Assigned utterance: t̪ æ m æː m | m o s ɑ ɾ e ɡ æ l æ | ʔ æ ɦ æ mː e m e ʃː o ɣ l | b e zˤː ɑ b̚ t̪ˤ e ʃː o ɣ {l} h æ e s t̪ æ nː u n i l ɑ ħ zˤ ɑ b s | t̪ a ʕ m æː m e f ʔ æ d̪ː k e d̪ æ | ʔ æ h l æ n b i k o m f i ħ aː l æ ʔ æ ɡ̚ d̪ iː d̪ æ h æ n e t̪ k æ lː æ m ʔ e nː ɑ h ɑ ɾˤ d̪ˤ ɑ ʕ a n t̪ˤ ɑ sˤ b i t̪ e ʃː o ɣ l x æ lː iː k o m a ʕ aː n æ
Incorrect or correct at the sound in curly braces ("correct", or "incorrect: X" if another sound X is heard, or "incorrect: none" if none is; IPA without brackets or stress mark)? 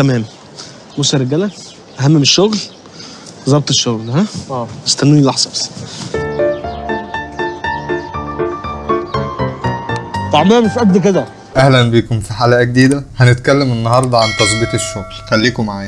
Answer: correct